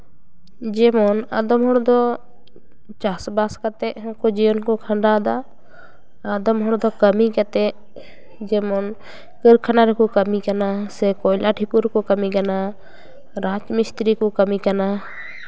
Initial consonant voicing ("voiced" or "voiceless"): voiced